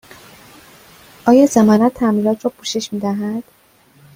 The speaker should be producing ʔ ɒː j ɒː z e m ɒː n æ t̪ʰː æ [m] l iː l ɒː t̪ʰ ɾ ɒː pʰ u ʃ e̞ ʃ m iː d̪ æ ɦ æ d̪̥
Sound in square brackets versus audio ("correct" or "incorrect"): correct